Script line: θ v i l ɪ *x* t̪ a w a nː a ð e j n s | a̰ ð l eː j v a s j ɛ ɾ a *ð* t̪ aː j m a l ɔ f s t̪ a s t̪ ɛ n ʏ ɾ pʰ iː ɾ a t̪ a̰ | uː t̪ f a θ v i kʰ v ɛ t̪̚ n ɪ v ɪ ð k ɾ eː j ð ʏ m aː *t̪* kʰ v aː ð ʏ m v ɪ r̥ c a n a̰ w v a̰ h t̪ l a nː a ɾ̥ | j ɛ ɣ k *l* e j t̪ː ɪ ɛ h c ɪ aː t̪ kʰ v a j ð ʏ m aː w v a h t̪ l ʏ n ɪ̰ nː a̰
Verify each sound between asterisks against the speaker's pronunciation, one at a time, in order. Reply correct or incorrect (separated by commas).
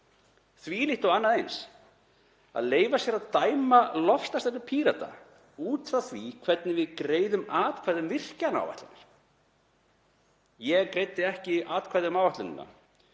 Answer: incorrect, correct, correct, incorrect